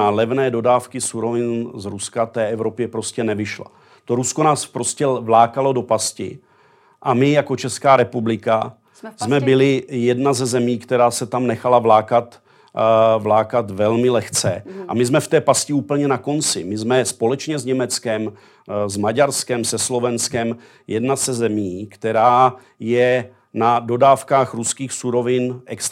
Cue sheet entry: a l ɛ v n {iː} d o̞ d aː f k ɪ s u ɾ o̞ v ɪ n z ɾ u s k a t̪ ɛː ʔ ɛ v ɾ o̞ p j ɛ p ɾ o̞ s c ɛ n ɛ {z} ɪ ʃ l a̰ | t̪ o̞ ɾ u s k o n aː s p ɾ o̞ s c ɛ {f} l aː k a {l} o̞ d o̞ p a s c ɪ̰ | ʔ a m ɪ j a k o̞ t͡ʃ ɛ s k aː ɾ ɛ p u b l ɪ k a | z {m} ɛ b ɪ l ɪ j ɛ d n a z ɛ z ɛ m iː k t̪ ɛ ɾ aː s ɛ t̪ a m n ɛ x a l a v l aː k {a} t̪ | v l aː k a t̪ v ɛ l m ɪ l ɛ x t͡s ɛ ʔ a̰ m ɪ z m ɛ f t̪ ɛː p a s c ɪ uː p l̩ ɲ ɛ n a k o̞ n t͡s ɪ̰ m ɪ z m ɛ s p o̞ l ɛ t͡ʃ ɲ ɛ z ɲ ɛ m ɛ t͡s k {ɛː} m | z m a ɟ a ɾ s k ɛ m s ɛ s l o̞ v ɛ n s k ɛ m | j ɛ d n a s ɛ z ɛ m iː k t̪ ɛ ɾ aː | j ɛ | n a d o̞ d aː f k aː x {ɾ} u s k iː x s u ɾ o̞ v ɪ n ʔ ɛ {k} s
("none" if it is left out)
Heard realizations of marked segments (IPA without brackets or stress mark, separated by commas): ɛː, v, v, l, m, a, ɛ, ɾ, k